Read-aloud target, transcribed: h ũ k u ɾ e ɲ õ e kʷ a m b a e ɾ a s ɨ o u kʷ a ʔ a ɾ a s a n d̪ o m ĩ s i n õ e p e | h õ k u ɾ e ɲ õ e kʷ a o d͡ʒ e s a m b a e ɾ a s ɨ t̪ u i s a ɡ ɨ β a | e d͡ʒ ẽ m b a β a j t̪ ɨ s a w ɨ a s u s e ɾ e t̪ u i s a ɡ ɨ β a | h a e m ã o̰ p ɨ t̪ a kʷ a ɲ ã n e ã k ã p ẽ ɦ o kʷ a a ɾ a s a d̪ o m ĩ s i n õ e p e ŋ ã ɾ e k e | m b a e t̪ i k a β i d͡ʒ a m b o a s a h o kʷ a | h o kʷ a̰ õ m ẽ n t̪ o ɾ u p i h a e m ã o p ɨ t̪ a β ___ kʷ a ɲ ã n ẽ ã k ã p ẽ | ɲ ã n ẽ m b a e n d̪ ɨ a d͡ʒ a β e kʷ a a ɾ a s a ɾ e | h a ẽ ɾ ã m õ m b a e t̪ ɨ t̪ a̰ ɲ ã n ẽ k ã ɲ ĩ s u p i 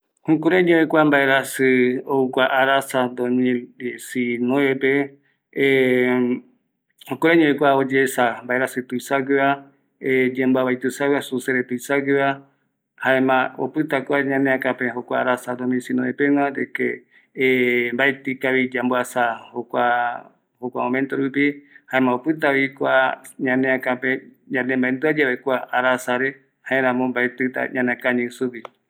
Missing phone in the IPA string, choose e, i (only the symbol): i